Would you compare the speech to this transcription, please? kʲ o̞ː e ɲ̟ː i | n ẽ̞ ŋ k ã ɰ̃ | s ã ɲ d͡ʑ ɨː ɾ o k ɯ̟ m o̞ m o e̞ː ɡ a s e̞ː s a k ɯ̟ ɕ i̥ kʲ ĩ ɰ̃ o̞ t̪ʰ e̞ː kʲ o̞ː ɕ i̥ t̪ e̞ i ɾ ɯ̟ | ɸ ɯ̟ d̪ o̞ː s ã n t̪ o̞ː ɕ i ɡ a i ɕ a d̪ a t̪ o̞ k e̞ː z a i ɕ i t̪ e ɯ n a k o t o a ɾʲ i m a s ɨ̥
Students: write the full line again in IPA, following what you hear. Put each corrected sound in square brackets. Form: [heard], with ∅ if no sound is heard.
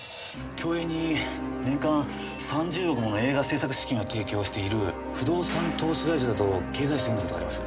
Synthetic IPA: kʲ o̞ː e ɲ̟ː i | n ẽ̞ ŋ k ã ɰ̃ | s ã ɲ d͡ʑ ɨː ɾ o k ɯ̟ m o̞ [n] o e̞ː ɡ a s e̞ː s a k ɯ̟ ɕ i̥ kʲ ĩ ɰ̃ o̞ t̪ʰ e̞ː kʲ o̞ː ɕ i̥ t̪ e̞ i ɾ ɯ̟ | ɸ ɯ̟ d̪ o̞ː s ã n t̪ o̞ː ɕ i ɡ a i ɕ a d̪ a t̪ o̞ k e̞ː z a i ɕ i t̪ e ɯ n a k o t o a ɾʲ i m a s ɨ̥